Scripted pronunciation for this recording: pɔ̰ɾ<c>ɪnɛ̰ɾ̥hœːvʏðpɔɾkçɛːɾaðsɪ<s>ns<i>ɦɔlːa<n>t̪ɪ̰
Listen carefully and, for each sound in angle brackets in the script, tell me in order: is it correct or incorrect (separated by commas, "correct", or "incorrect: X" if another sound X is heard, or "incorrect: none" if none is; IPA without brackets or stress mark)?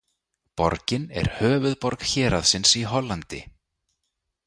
correct, incorrect: none, correct, correct